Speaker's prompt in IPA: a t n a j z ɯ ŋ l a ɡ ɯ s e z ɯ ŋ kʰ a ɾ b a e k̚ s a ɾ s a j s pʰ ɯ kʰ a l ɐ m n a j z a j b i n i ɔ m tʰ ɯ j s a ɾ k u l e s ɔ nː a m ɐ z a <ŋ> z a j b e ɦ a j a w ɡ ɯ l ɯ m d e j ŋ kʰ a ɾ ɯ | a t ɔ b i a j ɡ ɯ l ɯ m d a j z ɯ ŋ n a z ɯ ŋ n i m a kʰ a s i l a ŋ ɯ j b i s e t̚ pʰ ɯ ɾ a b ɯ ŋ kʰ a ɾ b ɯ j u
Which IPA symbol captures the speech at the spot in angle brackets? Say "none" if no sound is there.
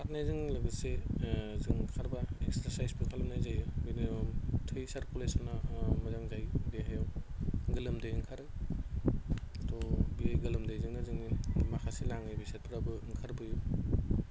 ŋ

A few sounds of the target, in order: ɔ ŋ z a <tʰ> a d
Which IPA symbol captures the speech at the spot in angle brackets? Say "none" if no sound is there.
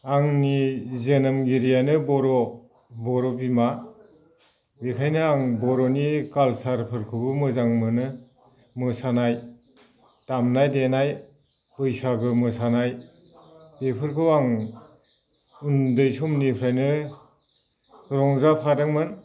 pʰ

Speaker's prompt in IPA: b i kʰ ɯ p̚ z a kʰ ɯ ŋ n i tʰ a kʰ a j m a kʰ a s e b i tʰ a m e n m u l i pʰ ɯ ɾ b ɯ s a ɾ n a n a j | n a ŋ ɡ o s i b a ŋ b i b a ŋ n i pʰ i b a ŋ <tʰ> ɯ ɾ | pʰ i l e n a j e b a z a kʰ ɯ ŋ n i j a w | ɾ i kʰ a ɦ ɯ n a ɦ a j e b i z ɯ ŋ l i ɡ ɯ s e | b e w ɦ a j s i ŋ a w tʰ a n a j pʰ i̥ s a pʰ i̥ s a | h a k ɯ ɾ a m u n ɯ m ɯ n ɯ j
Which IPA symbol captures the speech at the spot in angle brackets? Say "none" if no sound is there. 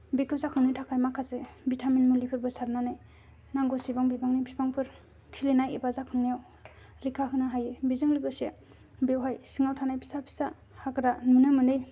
pʰ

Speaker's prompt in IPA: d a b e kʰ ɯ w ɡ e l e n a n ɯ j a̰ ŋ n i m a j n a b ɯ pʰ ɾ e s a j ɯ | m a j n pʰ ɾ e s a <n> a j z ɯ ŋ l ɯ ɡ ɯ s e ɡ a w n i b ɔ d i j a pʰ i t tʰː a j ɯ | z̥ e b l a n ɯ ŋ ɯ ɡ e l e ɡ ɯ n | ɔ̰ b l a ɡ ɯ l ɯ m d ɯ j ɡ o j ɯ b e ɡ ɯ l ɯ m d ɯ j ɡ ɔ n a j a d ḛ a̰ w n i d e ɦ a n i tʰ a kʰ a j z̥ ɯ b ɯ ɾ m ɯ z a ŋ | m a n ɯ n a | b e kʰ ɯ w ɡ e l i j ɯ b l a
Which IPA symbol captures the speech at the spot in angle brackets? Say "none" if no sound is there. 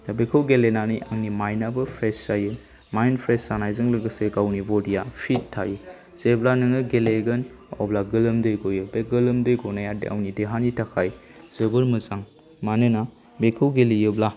n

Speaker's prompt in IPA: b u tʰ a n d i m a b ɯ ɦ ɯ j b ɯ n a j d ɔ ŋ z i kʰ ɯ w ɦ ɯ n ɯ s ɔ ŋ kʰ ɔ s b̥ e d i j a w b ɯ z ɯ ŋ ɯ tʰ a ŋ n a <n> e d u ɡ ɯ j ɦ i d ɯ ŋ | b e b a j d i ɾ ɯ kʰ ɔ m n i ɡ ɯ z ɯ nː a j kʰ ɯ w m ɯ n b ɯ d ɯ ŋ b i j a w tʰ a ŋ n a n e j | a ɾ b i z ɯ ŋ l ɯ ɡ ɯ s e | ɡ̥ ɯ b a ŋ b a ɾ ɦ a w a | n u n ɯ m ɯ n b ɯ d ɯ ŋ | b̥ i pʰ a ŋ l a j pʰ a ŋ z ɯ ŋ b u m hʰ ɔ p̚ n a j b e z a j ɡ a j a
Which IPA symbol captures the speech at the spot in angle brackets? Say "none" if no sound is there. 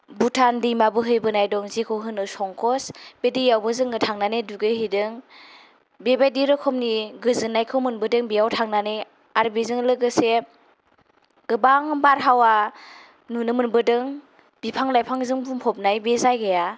n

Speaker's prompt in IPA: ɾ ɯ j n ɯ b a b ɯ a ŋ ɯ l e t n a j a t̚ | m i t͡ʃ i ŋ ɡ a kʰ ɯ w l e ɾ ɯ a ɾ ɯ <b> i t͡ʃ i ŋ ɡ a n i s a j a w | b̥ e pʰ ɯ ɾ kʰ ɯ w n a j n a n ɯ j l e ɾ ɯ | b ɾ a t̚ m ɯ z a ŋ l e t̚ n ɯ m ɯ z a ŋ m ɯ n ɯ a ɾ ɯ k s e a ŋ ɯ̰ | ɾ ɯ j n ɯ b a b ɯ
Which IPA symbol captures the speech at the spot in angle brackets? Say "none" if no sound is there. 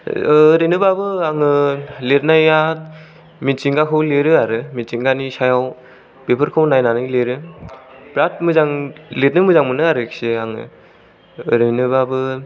m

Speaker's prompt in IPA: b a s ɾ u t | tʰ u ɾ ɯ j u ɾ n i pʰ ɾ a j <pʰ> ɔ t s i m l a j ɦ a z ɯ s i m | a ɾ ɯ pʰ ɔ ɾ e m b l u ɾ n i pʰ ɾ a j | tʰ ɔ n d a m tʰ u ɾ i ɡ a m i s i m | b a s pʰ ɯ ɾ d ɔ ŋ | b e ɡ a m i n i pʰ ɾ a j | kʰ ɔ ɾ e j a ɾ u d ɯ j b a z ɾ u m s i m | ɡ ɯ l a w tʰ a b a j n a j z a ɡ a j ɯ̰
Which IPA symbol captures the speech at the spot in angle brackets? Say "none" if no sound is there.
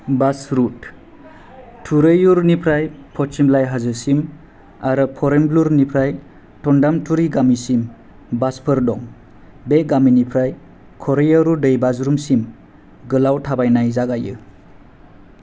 pʰ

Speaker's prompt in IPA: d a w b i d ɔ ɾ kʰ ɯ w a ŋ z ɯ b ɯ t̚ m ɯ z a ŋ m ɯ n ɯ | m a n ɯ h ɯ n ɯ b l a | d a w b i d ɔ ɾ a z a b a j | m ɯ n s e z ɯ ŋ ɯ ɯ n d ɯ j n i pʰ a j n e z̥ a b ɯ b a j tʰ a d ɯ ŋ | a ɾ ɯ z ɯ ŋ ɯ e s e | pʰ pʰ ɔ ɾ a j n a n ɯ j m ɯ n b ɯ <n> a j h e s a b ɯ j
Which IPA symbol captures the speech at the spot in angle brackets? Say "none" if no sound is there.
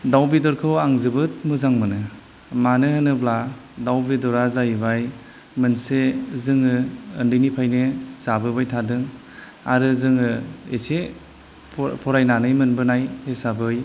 n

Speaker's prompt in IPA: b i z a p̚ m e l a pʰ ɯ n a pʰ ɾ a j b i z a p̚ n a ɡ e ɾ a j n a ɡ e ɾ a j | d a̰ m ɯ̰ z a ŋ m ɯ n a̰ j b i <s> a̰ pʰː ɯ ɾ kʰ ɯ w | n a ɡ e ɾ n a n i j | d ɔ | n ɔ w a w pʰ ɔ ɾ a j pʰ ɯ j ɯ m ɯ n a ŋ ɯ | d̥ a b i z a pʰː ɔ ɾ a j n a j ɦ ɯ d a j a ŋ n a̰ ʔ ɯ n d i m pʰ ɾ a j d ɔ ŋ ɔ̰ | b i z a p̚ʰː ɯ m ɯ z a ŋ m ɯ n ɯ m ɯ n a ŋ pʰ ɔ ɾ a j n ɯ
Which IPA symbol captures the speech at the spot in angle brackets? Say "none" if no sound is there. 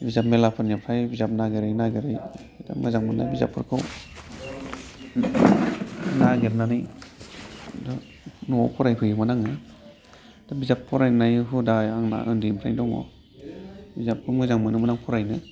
z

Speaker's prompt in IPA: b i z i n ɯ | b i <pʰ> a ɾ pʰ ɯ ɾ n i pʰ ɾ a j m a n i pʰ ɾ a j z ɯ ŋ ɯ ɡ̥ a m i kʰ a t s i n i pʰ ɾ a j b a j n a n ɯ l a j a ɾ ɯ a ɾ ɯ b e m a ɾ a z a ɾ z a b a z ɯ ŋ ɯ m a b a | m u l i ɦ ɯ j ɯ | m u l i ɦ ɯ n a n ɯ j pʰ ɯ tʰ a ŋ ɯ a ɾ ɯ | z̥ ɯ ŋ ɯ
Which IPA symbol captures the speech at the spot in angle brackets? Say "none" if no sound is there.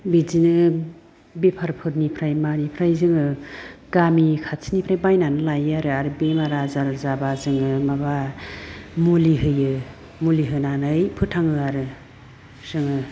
pʰ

